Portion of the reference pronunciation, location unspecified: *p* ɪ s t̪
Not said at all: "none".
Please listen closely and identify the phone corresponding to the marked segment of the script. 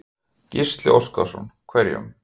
c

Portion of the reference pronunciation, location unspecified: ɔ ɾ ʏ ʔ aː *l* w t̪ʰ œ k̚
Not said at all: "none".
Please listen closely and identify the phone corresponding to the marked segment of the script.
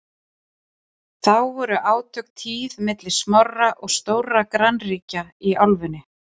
none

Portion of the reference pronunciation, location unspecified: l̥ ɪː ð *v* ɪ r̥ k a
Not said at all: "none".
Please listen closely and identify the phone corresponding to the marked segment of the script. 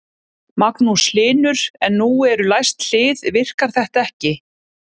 v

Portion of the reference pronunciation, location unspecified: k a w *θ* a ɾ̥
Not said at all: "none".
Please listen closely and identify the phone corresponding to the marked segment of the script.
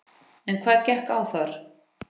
θ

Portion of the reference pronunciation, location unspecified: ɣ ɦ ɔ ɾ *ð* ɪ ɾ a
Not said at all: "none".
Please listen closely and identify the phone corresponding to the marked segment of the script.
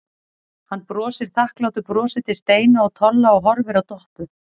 v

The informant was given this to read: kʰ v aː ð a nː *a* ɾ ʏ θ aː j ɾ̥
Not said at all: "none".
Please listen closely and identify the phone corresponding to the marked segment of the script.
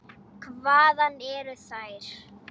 ɛ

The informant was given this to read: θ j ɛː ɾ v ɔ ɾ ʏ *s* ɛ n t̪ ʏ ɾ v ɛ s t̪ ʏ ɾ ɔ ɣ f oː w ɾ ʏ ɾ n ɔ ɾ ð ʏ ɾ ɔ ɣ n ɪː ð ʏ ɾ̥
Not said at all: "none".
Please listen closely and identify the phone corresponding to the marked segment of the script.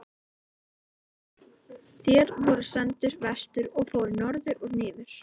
s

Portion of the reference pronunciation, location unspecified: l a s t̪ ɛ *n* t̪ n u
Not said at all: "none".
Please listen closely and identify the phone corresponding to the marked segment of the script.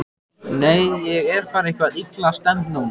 n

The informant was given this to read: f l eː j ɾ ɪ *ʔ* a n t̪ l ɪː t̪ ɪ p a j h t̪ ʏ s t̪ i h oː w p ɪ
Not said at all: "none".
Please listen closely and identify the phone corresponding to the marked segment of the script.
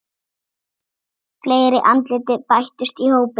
ʔ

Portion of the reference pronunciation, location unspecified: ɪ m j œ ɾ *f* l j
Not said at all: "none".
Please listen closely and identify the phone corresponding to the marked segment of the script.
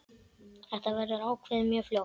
f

